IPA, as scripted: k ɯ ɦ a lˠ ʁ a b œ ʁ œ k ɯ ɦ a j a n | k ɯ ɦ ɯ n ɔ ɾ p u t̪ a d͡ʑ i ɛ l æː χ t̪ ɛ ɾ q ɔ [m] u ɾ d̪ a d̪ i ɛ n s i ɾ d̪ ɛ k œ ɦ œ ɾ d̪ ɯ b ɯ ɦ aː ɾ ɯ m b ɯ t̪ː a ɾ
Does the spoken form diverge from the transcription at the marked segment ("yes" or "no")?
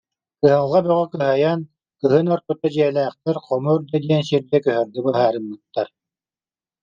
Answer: no